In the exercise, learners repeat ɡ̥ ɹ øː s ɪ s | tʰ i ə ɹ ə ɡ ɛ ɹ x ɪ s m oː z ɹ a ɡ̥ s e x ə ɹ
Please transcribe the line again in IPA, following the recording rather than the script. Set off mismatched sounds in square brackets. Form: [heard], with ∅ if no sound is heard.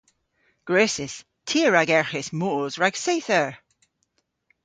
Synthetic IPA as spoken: ɡ̥ ɹ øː s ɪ s | tʰ i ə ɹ [a] ɡ ɛ ɹ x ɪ s m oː z ɹ a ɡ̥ s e [θ] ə ɹ